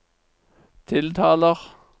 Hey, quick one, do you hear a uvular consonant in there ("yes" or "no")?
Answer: yes